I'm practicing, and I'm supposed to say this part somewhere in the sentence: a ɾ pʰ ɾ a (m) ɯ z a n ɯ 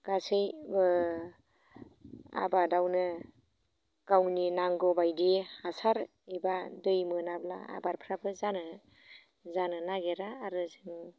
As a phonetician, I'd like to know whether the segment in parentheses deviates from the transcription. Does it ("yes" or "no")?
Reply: yes